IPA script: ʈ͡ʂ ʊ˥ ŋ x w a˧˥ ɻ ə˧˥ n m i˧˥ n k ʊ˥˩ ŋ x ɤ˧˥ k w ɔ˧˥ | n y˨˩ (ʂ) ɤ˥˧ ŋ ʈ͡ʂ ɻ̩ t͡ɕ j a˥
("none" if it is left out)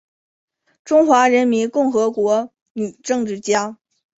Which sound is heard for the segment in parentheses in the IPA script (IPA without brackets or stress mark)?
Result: ʈ͡ʂ